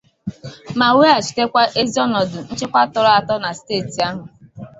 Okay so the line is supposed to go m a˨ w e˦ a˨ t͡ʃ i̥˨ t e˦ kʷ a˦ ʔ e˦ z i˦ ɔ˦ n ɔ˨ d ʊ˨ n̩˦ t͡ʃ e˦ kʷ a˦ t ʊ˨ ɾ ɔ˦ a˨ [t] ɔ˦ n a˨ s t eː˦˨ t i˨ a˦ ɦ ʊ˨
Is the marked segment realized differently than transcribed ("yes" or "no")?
no